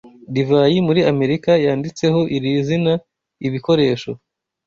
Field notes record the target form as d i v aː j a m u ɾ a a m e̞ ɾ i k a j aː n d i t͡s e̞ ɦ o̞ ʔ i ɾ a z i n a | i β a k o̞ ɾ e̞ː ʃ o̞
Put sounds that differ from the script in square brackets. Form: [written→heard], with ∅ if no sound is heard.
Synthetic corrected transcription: d i v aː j [a→i] m u ɾ [a→i] a m e̞ ɾ i k a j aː n d i t͡s e̞ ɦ o̞ ʔ i ɾ [a→i] z i n a | i β [a→i] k o̞ ɾ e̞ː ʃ o̞